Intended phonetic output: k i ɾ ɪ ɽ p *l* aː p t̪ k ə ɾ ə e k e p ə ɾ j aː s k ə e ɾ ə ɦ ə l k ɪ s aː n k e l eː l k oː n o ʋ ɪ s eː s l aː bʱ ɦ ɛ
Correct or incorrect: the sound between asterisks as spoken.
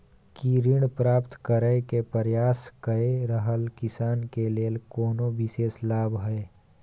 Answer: incorrect: ɾ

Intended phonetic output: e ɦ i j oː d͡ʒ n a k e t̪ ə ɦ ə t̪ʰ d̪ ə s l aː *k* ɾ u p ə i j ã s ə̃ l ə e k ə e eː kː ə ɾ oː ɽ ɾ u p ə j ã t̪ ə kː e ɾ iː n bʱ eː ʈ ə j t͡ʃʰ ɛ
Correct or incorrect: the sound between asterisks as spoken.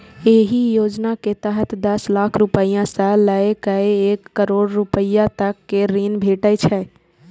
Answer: incorrect: kʰ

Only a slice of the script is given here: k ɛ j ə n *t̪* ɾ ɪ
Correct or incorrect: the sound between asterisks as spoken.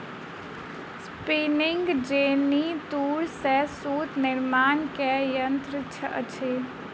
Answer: correct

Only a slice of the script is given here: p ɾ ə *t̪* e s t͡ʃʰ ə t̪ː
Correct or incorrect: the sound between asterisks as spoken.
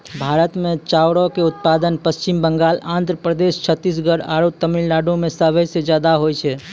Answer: incorrect: d̪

